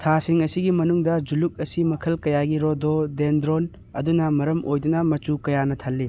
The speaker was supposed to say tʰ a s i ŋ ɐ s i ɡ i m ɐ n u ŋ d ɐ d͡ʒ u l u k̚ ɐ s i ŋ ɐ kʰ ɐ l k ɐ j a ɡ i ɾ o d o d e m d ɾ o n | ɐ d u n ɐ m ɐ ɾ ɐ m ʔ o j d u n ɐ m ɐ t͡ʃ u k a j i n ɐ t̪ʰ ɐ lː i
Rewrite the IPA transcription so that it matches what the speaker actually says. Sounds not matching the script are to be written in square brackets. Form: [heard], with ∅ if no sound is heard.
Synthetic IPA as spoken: tʰ a s i ŋ ɐ s i ɡ i m ɐ n u ŋ d ɐ d͡ʒ u l u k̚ ɐ s i [m] ɐ kʰ ɐ l k ɐ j a ɡ i ɾ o d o d e [n] d ɾ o n | ɐ d u n ɐ m ɐ ɾ ɐ m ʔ o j d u n ɐ m ɐ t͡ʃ u k [ɐ] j [a] n ɐ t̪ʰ ɐ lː i

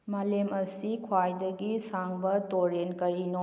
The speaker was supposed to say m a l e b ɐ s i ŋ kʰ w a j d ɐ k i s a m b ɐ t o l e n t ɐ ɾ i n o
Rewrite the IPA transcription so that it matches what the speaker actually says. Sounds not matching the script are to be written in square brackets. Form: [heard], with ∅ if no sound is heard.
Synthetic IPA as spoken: m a l e [m] ɐ s i [∅] kʰ w a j d ɐ [ɡ] i s a [ŋ] b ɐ t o [ɾ] e n [k] ɐ ɾ i n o

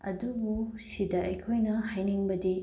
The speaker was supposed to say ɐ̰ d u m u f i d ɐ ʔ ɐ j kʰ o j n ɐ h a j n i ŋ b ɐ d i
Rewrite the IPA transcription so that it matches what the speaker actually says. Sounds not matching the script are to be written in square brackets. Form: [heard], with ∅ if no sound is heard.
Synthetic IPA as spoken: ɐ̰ d u [b] u [s] i d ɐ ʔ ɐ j kʰ o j n ɐ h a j n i ŋ b ɐ d i

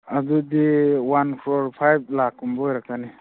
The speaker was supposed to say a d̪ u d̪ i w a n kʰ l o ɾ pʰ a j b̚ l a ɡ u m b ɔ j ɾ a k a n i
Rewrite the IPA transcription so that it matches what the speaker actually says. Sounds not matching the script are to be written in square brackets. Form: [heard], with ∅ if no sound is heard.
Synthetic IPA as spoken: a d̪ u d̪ i w a n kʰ [ɾ] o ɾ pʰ a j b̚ l a [k] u m b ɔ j ɾ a k a n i

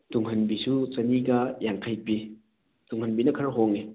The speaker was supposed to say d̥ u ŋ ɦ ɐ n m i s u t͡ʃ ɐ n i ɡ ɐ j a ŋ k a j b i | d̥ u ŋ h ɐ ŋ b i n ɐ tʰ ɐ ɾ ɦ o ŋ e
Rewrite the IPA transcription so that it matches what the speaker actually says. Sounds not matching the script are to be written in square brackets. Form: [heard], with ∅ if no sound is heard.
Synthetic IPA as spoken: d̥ u ŋ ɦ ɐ n [b] i s u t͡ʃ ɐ n i ɡ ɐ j a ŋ [kʰ] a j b i | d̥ u ŋ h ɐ [n] b i n ɐ [kʰ] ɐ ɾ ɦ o ŋ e

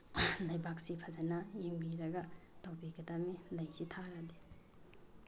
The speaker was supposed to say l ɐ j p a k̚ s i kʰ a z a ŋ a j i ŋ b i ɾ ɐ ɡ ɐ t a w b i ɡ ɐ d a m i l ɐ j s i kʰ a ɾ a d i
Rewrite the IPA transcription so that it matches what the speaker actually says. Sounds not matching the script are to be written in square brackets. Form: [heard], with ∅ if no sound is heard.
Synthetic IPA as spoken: l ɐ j [b] a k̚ s i [pʰ] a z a [n] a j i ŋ b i ɾ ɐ ɡ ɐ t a w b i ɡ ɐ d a m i l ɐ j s i [tʰ] a ɾ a d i

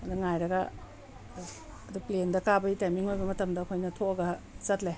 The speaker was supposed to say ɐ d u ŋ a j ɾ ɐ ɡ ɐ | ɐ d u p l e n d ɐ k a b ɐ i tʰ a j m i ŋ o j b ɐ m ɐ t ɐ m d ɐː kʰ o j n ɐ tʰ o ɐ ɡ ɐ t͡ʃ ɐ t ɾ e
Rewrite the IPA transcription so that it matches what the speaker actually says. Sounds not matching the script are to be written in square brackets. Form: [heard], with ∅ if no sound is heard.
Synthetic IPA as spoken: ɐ d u ŋ a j ɾ ɐ ɡ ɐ | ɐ d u p l e n d ɐ k a b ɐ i [t] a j m i ŋ o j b ɐ m ɐ t ɐ m d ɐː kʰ o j n ɐ tʰ o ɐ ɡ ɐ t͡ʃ ɐ t [l] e

